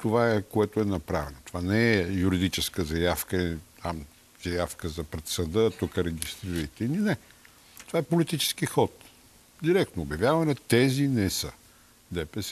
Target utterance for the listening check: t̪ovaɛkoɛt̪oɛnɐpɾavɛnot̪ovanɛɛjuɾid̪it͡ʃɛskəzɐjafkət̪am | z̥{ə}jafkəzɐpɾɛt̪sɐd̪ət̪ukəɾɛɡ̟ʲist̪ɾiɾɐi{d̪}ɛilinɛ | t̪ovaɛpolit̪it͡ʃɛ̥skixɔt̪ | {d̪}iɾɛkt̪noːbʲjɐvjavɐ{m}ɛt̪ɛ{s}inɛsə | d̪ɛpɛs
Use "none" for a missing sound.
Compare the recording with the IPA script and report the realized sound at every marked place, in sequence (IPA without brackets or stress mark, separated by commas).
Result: ɐ, t̪, d̪, n, z